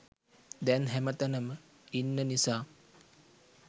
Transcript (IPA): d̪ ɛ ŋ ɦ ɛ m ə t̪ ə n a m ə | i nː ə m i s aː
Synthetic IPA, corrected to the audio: d̪ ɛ n ɦ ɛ m ə t̪ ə n ə m ə | i nː ə n i s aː